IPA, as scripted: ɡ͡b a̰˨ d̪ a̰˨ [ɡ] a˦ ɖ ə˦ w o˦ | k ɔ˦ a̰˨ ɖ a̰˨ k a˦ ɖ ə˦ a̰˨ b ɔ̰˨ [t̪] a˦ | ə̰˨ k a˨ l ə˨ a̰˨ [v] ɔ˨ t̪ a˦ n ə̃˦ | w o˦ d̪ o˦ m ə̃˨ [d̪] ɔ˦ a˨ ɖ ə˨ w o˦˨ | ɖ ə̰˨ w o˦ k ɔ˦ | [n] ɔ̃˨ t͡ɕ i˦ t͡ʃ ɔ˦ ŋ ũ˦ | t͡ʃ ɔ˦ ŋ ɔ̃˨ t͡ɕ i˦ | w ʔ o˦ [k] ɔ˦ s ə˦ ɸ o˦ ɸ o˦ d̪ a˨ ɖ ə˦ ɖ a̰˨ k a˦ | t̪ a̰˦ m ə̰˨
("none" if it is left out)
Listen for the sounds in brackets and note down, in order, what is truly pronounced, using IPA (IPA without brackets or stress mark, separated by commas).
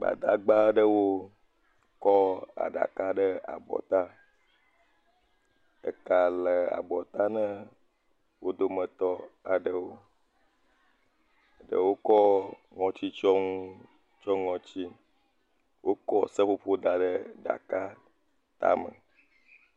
ɡ͡b, t̪, b, t̪, ŋ, k